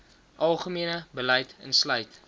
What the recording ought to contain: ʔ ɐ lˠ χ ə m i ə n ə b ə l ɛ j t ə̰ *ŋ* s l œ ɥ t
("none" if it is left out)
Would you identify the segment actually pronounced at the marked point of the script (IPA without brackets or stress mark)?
n